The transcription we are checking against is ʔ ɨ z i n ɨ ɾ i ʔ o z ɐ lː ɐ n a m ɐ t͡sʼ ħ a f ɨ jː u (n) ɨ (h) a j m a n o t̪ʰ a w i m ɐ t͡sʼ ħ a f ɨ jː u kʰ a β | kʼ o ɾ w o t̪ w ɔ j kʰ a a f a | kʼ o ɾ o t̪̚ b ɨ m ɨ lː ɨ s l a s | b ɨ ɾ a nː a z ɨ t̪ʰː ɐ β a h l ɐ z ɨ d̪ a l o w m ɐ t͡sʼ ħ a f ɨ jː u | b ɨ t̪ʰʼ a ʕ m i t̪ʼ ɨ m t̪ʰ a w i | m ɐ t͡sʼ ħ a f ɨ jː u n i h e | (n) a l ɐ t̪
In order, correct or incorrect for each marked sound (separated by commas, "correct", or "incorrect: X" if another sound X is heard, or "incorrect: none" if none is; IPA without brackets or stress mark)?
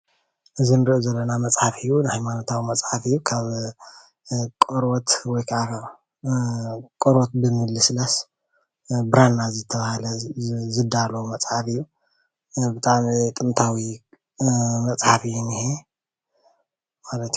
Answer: correct, correct, incorrect: m